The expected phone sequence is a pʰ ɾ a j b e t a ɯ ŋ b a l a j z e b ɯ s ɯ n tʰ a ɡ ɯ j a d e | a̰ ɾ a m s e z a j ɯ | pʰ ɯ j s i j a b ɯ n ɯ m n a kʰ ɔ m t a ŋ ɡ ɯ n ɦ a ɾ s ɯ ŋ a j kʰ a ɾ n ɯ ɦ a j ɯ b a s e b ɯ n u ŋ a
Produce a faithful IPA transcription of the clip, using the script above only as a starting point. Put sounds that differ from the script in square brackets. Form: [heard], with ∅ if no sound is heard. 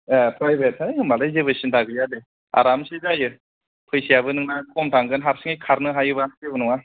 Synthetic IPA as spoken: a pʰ ɾ a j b e t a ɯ [m] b a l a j z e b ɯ s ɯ n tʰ a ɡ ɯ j a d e | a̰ ɾ a m s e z a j ɯ | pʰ ɯ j s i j a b ɯ n ɯ [ŋ] n a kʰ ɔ m t a ŋ ɡ ɯ n ɦ a ɾ s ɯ ŋ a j kʰ a ɾ n ɯ ɦ a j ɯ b a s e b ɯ n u ŋ a

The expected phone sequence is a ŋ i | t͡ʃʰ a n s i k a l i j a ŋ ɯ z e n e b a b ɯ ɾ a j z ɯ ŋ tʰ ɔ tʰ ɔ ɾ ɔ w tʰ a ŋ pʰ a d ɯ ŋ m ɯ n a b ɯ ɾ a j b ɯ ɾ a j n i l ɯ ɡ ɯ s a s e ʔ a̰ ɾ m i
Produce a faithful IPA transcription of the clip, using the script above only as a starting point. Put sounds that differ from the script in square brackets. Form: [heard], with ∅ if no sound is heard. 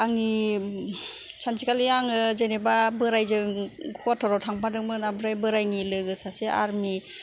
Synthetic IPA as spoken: a ŋ i | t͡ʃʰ a n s i k a l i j a ŋ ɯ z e n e b a b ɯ ɾ a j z ɯ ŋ [kʰ] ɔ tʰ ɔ ɾ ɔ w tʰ a ŋ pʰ a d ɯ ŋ m ɯ n a b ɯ ɾ a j b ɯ ɾ a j n i l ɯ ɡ ɯ s a s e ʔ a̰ ɾ m i

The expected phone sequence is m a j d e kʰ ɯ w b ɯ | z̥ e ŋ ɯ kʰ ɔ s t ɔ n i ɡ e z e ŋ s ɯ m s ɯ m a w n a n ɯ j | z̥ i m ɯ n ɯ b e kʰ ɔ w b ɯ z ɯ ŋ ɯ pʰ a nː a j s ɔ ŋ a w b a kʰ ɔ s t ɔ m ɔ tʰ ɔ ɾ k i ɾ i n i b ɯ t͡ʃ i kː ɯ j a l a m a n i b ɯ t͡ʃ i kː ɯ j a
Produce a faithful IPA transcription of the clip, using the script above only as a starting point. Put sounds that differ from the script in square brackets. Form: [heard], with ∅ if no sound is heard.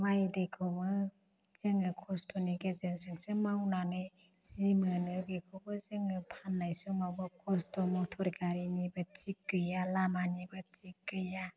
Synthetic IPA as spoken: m a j d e kʰ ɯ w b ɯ | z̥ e ŋ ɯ kʰ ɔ s t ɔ n i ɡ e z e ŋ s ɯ [ŋ] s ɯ m a w n a n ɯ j | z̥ i m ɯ n ɯ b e kʰ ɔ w b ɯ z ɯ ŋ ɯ pʰ a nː a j s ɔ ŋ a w b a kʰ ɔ s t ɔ m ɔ tʰ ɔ ɾ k [a] ɾ i n i b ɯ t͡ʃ i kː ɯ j a l a m a n i b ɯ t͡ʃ i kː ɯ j a

